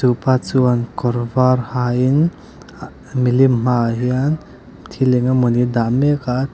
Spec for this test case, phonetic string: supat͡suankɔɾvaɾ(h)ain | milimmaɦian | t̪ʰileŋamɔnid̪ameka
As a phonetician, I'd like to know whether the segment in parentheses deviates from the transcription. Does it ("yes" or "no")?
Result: no